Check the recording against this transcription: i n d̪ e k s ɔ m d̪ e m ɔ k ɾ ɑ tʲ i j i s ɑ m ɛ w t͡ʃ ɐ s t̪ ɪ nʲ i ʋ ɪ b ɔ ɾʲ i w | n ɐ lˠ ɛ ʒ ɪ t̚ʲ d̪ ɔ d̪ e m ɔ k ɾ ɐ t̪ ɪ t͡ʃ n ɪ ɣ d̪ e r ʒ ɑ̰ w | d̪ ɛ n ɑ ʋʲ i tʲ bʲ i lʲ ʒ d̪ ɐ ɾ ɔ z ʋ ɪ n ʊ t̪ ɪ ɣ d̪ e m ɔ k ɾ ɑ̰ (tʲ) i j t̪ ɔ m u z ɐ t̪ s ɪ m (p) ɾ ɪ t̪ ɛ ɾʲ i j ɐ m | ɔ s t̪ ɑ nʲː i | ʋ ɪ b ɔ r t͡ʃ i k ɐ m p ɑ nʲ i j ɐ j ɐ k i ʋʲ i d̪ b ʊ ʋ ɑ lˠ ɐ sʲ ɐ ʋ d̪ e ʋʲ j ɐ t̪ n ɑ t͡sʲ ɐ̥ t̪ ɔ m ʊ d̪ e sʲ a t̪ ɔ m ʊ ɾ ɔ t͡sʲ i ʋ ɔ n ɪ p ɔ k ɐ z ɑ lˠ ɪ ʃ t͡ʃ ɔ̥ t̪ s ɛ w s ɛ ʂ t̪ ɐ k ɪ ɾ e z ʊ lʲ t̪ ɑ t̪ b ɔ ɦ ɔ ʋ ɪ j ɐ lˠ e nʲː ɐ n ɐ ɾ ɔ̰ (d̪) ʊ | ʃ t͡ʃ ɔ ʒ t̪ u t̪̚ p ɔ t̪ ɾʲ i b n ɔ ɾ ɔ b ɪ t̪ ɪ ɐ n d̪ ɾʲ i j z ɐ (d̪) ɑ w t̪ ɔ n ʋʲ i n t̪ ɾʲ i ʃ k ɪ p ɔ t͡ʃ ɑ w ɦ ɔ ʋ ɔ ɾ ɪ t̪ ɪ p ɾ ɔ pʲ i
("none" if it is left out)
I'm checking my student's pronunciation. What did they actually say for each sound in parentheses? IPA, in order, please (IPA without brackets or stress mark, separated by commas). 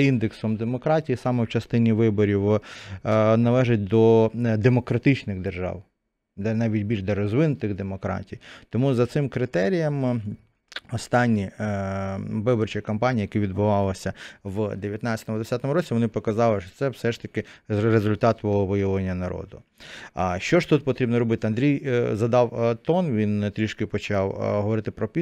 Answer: tʲ, k, d̪, d̪